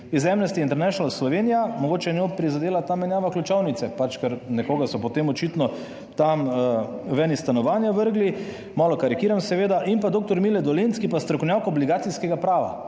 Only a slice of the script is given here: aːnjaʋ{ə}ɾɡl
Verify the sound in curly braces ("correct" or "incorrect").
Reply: correct